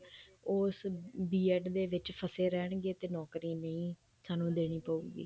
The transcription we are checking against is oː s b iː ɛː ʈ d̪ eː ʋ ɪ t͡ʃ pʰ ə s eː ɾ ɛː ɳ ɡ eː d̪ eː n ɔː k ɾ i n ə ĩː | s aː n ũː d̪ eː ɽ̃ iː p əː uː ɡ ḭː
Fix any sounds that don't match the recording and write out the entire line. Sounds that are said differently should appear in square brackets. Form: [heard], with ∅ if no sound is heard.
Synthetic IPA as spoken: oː s b iː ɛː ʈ d̪ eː ʋ ɪ t͡ʃ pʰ ə s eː ɾ ɛː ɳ ɡ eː [t̪] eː n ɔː k ɾ [iː] n ə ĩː | s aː n ũː d̪ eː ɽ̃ iː p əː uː ɡ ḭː

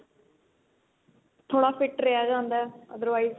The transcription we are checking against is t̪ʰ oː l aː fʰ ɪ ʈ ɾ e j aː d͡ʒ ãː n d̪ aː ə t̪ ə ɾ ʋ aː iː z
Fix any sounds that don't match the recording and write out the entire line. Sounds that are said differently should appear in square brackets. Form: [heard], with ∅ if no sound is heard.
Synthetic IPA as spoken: t̪ʰ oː [ɽ] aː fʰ ɪ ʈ ɾ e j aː d͡ʒ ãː n d̪ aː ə [d̪] ə ɾ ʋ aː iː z

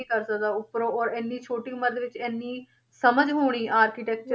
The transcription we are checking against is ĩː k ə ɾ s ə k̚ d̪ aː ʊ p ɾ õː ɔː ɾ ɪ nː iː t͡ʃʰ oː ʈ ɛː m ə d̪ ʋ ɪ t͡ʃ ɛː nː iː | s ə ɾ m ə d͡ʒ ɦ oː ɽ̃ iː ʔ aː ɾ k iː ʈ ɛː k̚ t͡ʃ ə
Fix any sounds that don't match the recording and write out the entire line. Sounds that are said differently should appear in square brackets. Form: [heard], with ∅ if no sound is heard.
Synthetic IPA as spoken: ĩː k ə ɾ s ə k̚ d̪ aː ʊ p ɾ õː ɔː ɾ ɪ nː iː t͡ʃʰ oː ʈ [iː] m ə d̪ ʋ ɪ t͡ʃ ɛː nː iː | s ə [∅] m ə d͡ʒ ɦ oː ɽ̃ iː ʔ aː ɾ k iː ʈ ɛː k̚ t͡ʃ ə

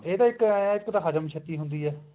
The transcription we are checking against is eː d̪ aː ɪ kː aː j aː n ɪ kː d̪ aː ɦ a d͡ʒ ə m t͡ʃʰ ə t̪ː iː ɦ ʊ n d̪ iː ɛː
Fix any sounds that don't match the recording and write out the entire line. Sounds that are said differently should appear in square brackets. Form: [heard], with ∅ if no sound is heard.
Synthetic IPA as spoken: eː d̪ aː ɪ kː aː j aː [∅] ɪ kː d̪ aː ɦ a d͡ʒ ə m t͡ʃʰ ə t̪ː iː ɦ ʊ n d̪ iː ɛː

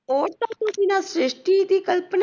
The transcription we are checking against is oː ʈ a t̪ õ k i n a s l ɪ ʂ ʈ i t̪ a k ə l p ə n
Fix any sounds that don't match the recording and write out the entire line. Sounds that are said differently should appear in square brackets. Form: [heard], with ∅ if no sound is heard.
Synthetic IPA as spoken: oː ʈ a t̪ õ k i n a s [ɾ] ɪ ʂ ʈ i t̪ [i] k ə l p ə n

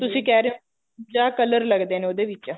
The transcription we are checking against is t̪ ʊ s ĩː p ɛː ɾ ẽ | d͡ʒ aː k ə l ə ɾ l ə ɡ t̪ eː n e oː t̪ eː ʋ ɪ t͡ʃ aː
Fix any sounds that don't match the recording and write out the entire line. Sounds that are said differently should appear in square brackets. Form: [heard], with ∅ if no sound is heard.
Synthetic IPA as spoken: t̪ ʊ s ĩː [k] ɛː ɾ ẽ | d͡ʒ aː k ə l ə ɾ l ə ɡ [d̪] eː n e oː [d̪] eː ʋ ɪ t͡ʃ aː

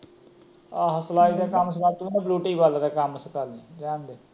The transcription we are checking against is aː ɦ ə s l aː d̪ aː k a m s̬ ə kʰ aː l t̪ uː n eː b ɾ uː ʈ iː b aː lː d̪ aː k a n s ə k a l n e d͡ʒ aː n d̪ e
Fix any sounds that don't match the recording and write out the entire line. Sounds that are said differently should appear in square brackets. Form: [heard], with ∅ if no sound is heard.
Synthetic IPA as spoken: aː ɦ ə s l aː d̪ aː k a m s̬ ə [k] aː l t̪ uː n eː b [l] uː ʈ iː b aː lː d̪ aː k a [m] s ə k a l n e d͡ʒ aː n d̪ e

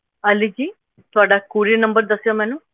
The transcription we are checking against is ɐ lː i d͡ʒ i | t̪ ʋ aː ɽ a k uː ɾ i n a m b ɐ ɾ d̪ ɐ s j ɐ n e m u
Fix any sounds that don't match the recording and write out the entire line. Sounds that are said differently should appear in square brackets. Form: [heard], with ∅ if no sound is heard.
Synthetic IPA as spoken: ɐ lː i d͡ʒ i | t̪ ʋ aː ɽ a k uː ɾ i n [ɐ] m b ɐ ɾ d̪ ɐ s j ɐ [m] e [n] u

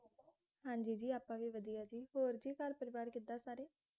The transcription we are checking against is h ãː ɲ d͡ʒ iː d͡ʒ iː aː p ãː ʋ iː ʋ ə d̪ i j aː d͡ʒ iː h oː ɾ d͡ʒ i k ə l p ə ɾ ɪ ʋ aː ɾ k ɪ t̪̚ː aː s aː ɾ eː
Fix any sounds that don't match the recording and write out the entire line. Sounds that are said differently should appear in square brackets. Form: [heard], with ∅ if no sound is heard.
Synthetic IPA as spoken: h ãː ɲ d͡ʒ iː d͡ʒ iː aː p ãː ʋ iː ʋ ə d̪ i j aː d͡ʒ iː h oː ɾ d͡ʒ [iː] k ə [ɾ] p ə ɾ ɪ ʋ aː ɾ k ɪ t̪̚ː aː s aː ɾ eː

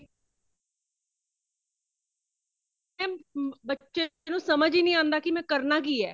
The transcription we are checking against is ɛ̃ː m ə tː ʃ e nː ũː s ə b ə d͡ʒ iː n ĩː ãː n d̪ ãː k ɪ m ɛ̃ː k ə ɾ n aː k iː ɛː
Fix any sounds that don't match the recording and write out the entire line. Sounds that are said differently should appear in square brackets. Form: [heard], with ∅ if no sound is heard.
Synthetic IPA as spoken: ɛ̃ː [b] ə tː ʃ e [n] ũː s ə [m] ə d͡ʒ iː n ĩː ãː n d̪ [aː] k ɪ m ɛ̃ː k ə ɾ n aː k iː ɛː

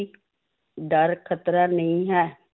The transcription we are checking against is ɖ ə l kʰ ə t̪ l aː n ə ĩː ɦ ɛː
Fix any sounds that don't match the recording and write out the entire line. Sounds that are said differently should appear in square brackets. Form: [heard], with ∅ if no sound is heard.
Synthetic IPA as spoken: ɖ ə [ɾ] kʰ ə t̪ [ɾ] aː n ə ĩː ɦ ɛː

